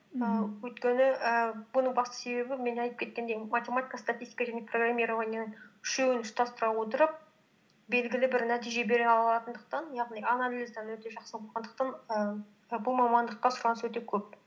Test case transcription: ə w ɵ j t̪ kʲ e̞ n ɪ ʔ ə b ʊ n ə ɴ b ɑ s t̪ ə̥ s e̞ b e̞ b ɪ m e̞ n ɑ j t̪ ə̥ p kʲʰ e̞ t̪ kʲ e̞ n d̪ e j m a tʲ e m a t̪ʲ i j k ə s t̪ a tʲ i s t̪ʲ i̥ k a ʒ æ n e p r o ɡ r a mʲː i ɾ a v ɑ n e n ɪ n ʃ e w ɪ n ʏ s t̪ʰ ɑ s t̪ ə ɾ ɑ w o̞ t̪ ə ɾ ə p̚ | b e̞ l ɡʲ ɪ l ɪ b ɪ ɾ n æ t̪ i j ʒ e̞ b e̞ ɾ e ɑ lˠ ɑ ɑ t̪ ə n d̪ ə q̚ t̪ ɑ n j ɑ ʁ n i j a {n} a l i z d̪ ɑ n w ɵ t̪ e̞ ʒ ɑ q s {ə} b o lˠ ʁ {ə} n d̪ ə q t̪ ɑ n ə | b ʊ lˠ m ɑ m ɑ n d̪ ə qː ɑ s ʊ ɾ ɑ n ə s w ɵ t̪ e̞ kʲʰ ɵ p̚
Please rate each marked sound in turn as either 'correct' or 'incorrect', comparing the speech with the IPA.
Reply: correct, correct, incorrect

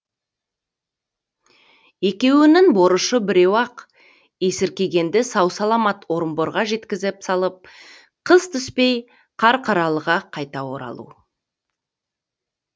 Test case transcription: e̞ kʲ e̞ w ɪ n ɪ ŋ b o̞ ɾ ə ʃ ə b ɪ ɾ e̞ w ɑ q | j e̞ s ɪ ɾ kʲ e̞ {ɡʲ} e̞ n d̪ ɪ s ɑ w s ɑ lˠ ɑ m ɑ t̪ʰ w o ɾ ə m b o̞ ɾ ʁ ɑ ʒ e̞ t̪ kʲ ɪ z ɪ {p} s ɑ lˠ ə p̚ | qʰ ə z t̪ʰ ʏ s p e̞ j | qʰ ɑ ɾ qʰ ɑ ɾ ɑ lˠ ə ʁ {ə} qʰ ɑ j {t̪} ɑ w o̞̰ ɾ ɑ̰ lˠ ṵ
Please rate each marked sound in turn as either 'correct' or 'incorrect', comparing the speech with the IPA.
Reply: correct, correct, incorrect, correct

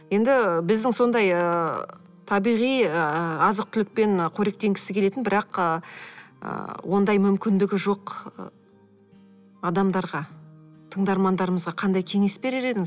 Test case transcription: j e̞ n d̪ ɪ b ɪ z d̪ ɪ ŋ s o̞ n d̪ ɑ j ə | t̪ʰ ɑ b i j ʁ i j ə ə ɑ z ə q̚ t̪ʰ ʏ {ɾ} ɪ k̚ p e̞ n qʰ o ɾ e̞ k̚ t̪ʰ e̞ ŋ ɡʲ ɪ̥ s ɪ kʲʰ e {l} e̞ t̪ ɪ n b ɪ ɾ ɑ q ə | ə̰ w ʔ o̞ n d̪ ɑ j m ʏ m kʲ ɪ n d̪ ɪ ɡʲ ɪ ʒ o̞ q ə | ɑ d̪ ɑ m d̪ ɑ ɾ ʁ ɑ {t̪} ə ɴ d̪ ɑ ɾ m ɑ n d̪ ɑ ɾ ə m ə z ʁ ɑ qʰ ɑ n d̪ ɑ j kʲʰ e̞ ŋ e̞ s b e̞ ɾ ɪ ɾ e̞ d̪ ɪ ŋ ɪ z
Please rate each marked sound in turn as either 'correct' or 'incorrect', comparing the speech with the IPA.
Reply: incorrect, correct, incorrect

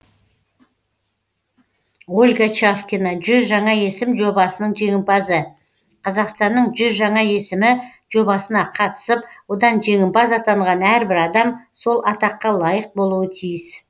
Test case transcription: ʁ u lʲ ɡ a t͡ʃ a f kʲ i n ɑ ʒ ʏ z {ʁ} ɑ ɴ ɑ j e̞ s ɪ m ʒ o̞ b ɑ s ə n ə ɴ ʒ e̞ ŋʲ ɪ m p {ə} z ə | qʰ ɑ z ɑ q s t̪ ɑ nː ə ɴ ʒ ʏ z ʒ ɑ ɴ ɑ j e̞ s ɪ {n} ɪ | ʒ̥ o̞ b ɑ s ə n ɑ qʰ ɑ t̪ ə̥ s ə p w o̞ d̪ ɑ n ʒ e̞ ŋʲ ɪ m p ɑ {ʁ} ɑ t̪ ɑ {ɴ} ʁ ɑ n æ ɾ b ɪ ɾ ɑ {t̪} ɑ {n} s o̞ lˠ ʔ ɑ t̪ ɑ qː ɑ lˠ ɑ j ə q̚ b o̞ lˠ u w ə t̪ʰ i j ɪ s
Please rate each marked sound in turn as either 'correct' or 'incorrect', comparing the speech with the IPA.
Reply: incorrect, incorrect, incorrect, incorrect, correct, incorrect, incorrect

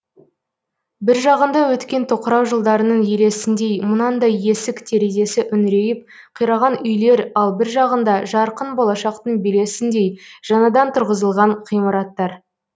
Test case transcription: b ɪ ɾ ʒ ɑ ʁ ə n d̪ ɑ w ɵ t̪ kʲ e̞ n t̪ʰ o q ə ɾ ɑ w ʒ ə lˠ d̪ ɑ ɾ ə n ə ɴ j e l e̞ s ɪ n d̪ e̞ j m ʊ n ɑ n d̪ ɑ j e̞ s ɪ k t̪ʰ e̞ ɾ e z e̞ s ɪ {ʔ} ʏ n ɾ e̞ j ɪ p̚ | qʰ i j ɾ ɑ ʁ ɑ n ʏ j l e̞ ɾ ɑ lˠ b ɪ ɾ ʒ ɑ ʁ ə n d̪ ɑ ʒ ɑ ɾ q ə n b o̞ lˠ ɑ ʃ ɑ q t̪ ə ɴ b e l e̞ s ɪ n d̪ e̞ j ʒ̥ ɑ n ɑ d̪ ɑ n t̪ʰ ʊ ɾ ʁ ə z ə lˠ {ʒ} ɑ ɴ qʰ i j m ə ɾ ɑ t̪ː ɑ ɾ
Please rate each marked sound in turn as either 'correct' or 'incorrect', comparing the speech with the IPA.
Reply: correct, incorrect

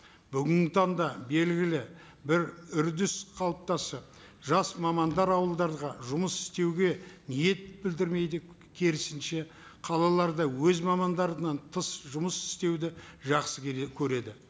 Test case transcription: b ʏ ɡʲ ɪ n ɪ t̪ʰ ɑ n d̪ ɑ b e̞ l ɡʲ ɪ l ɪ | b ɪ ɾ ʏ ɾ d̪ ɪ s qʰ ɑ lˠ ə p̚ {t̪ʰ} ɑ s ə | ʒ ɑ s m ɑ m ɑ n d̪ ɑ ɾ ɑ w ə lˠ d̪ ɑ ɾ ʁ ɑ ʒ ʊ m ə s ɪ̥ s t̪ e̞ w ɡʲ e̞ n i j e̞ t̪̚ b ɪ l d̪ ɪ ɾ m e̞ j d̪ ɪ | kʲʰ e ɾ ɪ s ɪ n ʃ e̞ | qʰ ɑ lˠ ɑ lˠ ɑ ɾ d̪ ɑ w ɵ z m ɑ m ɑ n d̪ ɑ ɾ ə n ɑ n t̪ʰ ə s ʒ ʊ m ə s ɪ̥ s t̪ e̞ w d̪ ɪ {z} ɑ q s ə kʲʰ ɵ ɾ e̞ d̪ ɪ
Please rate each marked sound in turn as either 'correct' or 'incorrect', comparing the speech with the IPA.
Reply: incorrect, incorrect

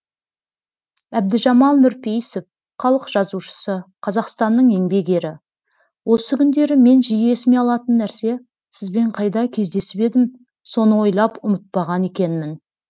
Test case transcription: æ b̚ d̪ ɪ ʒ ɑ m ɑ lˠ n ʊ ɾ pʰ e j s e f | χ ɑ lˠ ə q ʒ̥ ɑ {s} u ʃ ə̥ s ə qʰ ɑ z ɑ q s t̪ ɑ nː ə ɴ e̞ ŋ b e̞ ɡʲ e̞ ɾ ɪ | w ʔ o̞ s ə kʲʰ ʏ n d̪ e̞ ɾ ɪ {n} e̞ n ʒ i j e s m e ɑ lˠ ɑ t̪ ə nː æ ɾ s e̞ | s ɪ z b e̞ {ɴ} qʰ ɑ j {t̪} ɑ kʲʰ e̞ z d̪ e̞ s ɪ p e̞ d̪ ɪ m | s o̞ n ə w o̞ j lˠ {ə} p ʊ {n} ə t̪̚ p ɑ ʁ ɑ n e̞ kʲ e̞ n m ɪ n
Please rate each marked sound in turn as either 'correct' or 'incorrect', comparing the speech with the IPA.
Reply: incorrect, incorrect, correct, incorrect, incorrect, incorrect

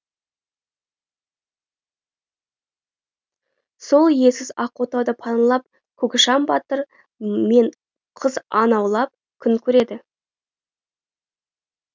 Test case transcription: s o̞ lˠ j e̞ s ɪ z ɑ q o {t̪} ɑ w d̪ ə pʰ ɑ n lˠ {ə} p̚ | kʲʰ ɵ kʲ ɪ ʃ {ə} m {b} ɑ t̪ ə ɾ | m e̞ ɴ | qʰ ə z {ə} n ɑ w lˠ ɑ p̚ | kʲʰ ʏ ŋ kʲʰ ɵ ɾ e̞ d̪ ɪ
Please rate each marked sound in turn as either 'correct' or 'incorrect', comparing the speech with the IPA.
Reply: correct, incorrect, incorrect, correct, incorrect

